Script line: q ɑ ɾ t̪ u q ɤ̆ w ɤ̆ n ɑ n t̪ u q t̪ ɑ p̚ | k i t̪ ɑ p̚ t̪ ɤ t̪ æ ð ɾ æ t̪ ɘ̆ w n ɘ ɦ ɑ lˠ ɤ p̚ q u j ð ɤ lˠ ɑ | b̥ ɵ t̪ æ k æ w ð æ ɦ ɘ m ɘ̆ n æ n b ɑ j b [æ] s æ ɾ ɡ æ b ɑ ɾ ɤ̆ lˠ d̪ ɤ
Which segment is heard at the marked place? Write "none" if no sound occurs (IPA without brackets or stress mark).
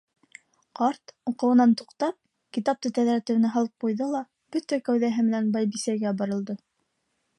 i